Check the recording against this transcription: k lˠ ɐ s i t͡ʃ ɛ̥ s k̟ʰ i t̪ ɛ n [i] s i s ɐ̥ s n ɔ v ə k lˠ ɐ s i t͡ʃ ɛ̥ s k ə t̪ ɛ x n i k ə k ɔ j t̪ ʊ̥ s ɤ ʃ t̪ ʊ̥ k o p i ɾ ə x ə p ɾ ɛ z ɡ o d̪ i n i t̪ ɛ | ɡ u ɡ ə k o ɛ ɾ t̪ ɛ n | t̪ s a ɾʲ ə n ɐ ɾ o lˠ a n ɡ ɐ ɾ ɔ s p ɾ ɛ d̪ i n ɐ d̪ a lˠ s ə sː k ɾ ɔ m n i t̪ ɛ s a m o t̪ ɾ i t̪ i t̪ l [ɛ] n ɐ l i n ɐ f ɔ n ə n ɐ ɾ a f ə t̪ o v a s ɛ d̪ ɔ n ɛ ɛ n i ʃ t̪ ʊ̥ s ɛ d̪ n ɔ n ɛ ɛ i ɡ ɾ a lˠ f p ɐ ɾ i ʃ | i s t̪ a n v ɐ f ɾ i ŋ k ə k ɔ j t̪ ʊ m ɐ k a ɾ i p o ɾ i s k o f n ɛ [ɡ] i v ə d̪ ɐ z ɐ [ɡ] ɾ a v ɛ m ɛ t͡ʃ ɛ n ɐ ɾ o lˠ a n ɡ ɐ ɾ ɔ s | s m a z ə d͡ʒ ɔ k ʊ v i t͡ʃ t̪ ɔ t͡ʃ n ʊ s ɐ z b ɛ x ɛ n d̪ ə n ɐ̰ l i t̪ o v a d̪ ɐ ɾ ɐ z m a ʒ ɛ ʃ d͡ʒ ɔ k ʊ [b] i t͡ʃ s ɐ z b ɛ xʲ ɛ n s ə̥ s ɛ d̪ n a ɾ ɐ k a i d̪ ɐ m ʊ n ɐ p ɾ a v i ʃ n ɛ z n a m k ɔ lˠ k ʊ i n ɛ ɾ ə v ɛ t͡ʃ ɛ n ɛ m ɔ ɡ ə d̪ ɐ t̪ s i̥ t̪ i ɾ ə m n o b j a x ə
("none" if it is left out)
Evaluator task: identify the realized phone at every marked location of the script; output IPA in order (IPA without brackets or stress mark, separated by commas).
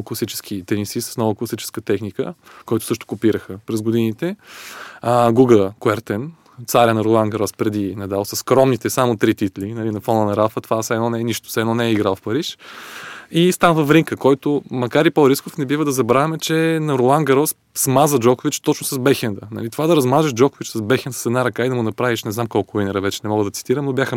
i, i, b, b, v